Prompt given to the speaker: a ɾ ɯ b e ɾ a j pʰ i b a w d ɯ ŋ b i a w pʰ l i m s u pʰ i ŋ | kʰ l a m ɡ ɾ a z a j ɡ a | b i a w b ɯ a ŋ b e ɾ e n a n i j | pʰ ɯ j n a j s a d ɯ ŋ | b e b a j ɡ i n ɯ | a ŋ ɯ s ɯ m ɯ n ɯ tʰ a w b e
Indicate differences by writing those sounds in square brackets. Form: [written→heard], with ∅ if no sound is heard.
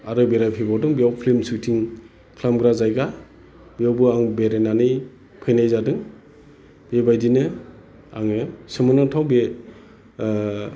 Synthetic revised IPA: a ɾ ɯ b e ɾ a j pʰ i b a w d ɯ ŋ b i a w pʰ l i m s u [pʰ→tʰ] i ŋ | kʰ l a m ɡ ɾ a z a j ɡ a | b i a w b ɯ a ŋ b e ɾ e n a n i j | pʰ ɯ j n a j [s→z] a d ɯ ŋ | b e b a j [ɡ→d] i n ɯ | a ŋ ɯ s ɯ m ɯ n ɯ tʰ a w b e